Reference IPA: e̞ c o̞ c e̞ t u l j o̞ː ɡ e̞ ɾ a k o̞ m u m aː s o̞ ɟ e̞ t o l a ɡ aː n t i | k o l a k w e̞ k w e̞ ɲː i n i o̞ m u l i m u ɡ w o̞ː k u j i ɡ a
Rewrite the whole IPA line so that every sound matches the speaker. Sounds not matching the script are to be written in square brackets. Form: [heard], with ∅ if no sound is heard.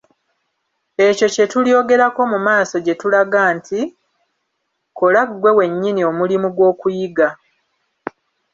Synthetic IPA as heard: e̞ c o̞ c e̞ t u l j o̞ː ɡ e̞ ɾ a k o̞ m u m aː s o̞ ɟ e̞ t [u] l a ɡ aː n t i | k o l a [ɡ] w e̞ [∅] w e̞ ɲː i n i o̞ m u l i m u ɡ w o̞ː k u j i ɡ a

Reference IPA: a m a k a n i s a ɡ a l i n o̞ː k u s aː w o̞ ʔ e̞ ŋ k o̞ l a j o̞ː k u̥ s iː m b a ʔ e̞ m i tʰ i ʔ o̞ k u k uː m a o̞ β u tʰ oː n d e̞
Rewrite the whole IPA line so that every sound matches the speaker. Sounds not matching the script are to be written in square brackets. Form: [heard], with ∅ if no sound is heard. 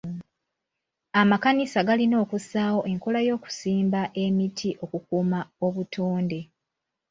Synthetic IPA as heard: a m a k a n i s a ɡ a l i n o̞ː k u s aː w o̞ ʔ e̞ ŋ k o̞ l a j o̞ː k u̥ s iː m b a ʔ e̞ m i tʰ i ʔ o̞ k u k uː m a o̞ β u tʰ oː n d e̞

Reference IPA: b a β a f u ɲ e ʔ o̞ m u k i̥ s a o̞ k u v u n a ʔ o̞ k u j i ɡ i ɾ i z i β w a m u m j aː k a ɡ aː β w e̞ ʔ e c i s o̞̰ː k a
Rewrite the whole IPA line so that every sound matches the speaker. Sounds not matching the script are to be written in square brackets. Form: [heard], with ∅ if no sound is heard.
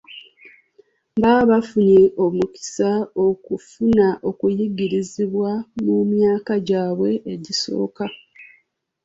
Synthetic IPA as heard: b a β a f u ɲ e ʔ o̞ m u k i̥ s a o̞ k u [f] u n a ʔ o̞ k u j i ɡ i ɾ i z i β w a m u m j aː k a [ɟ] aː β w e̞ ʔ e [ɟ] i s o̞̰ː k a

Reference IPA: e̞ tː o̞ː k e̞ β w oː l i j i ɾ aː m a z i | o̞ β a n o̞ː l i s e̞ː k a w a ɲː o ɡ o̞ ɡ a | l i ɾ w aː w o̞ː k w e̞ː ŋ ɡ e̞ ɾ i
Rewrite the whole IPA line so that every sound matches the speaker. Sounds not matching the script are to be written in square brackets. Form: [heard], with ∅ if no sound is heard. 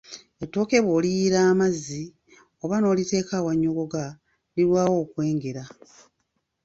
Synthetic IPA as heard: e̞ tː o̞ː k e̞ β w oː l i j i ɾ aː m a z i | o̞ β a n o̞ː l i [t] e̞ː k a w a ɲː o ɡ o̞ ɡ a | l i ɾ w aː w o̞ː k w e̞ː ŋ ɡ e̞ ɾ [a]

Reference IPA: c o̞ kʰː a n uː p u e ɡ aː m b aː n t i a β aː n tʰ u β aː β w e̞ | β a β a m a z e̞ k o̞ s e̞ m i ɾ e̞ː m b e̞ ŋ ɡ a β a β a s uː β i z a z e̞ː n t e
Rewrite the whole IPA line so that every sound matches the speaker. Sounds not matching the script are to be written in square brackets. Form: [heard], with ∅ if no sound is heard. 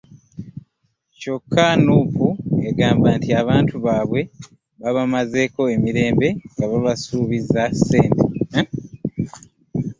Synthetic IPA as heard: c o̞ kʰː a n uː p u e ɡ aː m b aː n t i a β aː n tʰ u β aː β w e̞ | β a β a m a z e̞ k o̞ [∅] e̞ m i ɾ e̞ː m b e̞ ŋ ɡ a β a β a s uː β i z a [s] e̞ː n t e

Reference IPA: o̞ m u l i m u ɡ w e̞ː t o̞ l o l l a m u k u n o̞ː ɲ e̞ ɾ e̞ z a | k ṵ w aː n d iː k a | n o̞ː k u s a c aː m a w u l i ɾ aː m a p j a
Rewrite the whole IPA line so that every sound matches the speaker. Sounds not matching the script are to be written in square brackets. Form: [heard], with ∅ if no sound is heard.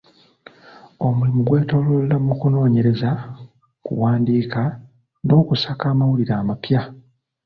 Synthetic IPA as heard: o̞ m u l i m u ɡ w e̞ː t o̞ l o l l a m u k u n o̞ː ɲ e̞ ɾ e̞ z a | k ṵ w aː n d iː k a | n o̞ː k u s a [k] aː m a w u l i ɾ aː m a p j a

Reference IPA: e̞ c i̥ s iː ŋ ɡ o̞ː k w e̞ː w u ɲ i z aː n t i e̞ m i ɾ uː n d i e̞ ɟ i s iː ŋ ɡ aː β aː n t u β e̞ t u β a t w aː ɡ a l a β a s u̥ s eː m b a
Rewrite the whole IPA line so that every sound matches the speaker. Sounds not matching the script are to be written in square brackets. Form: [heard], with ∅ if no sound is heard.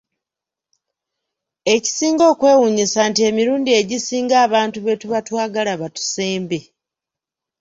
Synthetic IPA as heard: e̞ c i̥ s iː ŋ ɡ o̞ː k w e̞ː w u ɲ i [s] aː n t i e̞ m i ɾ uː n d i e̞ ɟ i s iː ŋ ɡ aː β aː n t u β e̞ t u β a t w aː ɡ a l a β a [t] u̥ s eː m b [e]

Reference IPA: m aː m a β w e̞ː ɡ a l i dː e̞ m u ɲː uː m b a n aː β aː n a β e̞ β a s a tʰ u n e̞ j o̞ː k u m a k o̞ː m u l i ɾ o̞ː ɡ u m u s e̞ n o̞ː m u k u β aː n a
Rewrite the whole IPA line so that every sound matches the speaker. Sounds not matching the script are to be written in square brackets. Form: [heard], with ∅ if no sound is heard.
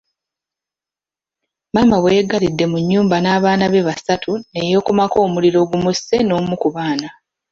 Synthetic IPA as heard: m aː m a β w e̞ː ɡ a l i dː e̞ m u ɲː uː m b a n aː β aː n a β e̞ β a s a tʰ u n e̞ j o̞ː k u m a k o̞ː m u l i ɾ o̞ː ɡ u m u s e̞ n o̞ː m u k u β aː n a

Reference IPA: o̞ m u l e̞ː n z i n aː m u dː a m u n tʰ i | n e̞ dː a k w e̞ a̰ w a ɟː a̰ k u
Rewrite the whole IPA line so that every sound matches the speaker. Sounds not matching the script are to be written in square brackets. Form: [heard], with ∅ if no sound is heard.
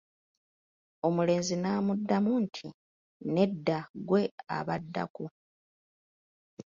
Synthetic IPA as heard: o̞ m u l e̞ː n z i n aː m u dː a m u n tʰ i | n e̞ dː a [ɡ] w e̞ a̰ [β] a [dː] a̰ k u

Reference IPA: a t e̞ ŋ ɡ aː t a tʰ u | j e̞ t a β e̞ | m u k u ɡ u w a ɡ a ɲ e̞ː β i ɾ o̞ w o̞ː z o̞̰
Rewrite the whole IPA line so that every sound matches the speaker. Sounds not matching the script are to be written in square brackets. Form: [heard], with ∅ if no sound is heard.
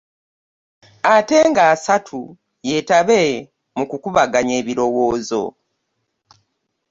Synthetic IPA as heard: a t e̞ ŋ ɡ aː [s] a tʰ u | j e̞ t a β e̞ | m u k u [k] u [β] a ɡ a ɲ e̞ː β i ɾ o̞ w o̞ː z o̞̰

